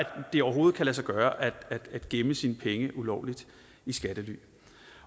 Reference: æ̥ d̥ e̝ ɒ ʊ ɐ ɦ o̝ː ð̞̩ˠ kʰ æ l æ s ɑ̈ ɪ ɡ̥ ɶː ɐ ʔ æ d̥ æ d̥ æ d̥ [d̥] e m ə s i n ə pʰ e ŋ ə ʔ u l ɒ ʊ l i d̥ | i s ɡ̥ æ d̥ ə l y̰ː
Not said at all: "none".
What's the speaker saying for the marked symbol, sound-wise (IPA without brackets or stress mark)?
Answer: ɡ̥